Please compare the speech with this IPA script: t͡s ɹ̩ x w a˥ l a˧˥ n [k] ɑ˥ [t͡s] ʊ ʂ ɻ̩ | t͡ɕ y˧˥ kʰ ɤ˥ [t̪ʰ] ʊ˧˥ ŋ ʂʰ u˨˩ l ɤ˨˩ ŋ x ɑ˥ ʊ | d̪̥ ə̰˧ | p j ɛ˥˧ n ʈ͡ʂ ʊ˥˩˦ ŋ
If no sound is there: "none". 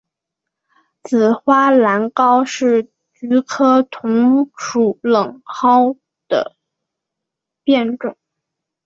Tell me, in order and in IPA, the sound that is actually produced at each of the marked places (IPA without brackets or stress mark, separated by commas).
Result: k, none, t̪ʰ